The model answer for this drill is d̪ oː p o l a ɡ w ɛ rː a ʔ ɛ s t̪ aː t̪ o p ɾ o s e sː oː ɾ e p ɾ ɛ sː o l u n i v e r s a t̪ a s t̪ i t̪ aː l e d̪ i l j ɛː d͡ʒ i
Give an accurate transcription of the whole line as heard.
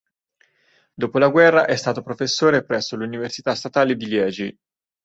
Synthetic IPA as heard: d̪ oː p o l a ɡ w ɛ rː a ʔ ɛ s t̪ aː t̪ o p ɾ o f e sː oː ɾ e p ɾ ɛ sː o l u n i v e r s i t̪ a s t̪ a t̪ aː l e d̪ i l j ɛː d͡ʒ i